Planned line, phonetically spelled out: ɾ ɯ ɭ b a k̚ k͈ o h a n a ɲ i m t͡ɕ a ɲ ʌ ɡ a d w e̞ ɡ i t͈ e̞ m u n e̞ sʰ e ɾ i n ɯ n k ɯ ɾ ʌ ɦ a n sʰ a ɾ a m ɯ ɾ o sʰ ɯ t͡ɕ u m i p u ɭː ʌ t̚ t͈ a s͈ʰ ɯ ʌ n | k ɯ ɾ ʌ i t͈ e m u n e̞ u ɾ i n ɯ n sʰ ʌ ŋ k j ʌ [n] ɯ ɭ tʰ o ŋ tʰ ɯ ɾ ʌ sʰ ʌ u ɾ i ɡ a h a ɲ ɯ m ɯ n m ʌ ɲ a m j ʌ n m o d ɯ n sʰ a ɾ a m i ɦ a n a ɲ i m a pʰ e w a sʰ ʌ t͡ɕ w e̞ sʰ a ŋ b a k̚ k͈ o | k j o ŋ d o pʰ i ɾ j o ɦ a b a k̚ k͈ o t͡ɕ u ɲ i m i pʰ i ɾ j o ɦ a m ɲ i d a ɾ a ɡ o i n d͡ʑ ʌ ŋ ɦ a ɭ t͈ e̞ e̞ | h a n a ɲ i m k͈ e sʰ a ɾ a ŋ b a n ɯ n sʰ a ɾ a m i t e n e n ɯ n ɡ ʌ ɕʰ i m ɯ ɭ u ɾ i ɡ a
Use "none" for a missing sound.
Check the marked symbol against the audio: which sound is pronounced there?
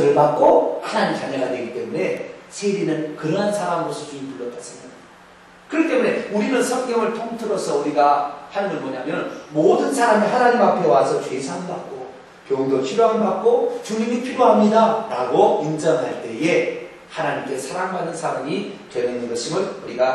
ŋ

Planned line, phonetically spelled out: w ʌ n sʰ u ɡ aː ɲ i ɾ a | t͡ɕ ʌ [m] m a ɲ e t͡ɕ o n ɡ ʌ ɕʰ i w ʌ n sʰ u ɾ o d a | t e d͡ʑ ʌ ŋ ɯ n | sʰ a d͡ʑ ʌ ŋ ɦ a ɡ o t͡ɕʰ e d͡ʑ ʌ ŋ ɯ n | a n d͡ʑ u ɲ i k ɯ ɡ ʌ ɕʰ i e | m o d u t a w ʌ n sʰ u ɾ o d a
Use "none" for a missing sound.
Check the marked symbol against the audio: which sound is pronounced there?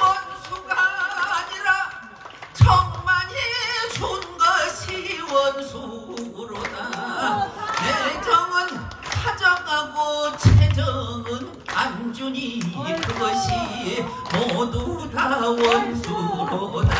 ŋ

